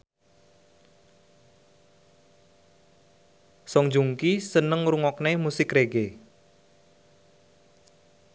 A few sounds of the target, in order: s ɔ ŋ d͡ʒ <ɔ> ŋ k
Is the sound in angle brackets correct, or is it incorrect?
incorrect